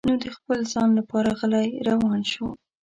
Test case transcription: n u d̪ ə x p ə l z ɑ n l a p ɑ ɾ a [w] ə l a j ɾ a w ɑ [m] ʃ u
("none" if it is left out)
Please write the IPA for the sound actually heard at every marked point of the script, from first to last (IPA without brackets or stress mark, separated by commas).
ɣ, n